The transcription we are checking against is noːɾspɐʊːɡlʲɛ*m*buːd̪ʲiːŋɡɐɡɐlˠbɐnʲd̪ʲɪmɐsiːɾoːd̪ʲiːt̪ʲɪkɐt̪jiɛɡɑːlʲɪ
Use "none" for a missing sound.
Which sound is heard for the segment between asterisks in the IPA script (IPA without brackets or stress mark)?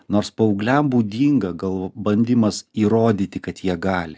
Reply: m